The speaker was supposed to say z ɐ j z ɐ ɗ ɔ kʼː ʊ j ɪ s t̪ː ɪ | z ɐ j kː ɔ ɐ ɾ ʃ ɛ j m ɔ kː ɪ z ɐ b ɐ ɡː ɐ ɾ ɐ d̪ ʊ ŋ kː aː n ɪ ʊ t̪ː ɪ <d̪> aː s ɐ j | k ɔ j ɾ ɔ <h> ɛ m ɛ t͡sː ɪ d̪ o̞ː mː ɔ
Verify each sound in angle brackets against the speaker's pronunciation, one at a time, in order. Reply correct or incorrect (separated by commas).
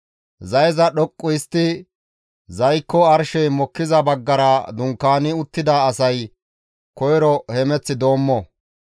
correct, correct